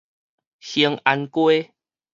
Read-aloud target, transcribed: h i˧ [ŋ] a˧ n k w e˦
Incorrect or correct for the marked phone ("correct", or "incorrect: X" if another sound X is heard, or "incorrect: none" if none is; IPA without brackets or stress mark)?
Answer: correct